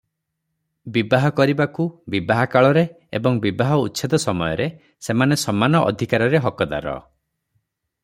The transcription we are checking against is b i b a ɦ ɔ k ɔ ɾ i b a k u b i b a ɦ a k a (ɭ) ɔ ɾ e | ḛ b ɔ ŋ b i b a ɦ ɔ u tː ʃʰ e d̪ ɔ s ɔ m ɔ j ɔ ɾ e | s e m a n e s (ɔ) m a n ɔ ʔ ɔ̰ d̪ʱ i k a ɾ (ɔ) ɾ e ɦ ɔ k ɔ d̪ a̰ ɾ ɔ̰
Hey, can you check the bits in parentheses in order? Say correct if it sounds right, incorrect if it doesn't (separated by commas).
correct, correct, correct